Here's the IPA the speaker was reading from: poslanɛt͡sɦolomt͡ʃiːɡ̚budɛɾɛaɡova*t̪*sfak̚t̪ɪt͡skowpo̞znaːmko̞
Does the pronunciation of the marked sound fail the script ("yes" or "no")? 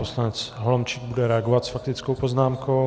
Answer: no